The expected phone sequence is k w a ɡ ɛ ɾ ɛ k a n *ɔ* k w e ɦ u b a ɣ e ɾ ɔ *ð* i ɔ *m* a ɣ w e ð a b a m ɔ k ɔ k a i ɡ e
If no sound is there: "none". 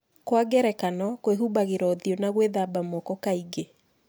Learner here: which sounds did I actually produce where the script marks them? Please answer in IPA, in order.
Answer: ɔ, ð, n

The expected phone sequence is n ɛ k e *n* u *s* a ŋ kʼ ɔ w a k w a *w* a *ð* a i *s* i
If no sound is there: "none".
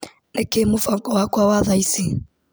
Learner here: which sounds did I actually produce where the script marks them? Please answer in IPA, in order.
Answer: m, f, w, ð, s

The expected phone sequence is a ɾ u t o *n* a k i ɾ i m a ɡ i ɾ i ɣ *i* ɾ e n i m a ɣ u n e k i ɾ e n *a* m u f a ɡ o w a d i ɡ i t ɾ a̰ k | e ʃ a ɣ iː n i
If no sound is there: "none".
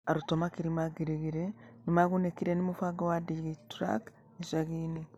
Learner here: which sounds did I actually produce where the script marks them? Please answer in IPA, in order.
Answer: m, i, i

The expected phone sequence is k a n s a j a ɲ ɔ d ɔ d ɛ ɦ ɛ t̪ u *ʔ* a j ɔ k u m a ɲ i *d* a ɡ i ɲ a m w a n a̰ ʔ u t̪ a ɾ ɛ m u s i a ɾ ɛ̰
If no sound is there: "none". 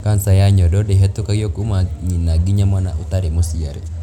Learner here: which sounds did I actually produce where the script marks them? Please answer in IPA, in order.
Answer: k, n

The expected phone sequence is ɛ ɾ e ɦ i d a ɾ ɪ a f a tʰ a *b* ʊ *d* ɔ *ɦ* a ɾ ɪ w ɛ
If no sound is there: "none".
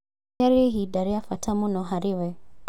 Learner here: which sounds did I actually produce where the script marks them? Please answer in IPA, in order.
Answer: m, n, ɦ

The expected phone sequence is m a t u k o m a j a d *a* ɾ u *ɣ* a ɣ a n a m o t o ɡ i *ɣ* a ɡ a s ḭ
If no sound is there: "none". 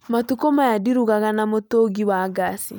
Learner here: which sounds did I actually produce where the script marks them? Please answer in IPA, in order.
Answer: i, ɣ, w

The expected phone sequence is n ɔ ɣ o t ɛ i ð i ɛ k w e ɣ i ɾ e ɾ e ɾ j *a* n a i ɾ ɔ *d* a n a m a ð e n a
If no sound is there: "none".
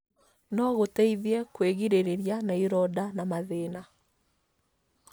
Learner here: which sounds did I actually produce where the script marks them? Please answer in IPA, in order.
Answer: a, d

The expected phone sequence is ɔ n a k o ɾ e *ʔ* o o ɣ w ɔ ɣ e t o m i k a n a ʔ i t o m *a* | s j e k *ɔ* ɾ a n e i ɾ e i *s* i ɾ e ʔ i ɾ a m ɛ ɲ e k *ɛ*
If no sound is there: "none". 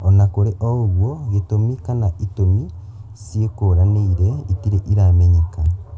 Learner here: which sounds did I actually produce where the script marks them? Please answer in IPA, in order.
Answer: ʔ, i, o, t, a

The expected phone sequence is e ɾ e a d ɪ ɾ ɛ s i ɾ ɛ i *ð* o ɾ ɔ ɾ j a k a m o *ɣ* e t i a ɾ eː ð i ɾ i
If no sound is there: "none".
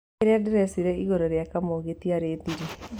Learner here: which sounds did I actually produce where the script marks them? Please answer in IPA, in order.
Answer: ɣ, ɣ

